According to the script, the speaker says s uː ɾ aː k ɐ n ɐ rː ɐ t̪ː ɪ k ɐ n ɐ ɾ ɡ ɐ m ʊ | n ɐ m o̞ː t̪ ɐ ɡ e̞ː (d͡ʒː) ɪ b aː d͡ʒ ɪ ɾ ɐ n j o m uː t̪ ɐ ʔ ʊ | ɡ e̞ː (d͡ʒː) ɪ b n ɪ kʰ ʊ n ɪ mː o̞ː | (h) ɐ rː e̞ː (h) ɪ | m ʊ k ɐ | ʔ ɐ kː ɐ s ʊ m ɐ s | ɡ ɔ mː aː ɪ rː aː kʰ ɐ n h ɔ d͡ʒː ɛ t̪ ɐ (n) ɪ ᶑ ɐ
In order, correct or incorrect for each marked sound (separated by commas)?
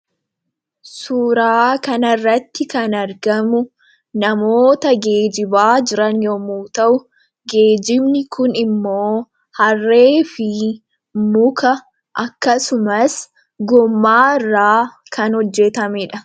incorrect, incorrect, correct, incorrect, incorrect